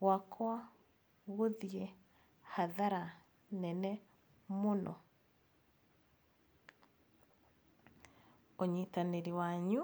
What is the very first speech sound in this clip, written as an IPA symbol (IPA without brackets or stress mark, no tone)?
w